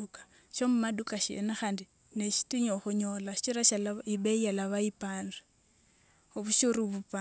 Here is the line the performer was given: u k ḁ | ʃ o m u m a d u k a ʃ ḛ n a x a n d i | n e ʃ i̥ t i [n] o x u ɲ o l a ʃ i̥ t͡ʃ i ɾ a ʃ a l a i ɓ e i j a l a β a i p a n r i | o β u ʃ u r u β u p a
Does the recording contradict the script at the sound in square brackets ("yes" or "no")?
yes